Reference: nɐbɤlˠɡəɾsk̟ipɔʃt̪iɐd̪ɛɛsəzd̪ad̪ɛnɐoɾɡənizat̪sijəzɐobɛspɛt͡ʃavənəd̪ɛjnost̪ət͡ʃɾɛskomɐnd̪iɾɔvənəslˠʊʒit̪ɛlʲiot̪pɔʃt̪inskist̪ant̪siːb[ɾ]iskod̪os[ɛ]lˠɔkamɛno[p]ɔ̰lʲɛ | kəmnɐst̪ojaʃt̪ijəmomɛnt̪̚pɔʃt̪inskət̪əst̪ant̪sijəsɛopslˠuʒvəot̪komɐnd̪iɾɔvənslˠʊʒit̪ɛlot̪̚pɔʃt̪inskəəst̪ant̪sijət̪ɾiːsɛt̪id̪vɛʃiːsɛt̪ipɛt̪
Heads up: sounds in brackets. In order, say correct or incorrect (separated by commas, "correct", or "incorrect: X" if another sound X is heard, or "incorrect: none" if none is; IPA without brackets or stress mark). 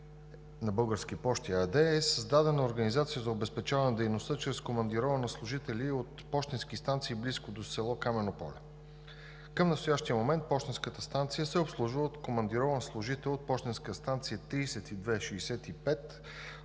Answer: incorrect: l, correct, correct